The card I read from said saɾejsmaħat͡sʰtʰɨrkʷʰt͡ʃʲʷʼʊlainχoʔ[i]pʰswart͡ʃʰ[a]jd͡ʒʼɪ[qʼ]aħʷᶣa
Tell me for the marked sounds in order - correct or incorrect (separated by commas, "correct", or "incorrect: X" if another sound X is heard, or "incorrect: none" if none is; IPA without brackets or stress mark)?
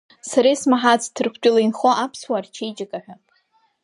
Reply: incorrect: a, incorrect: e, incorrect: kʼ